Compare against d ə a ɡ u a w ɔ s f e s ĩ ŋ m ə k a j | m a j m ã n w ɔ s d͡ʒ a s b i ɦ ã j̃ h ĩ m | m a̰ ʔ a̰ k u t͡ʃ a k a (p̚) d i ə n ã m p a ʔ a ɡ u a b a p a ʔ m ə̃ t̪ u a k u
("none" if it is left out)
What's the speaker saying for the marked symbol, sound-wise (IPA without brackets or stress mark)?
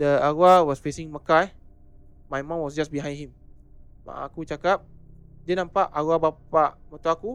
p̚